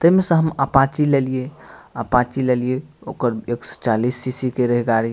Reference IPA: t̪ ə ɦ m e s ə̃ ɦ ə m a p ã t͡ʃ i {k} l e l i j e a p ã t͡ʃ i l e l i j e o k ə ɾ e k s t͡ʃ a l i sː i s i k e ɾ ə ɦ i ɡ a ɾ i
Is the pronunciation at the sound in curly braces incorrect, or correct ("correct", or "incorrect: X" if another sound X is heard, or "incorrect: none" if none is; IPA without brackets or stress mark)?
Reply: incorrect: none